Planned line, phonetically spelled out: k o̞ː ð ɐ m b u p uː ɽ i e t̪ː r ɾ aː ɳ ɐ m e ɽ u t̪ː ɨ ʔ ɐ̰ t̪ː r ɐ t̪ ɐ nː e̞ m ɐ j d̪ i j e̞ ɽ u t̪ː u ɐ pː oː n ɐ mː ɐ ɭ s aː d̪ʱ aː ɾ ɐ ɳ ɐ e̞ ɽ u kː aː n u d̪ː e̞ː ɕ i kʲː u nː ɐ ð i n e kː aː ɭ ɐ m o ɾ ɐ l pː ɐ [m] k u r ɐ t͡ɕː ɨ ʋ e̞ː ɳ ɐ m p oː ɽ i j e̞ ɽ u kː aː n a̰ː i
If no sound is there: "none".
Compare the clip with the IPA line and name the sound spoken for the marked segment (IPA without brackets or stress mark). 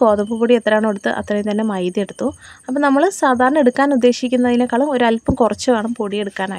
m